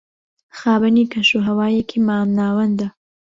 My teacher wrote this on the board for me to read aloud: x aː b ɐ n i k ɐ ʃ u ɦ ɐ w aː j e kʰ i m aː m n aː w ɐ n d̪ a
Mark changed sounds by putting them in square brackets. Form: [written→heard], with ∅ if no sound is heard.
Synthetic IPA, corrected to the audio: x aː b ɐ n i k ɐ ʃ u ɦ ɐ w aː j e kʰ i m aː m n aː w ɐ n d̪ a